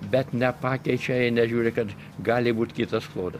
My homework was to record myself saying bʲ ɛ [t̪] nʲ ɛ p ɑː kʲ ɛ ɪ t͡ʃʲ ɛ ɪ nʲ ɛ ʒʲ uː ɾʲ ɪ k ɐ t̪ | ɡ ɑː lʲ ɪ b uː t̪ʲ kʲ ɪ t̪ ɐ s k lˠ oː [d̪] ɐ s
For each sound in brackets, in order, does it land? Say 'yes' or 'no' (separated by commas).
yes, yes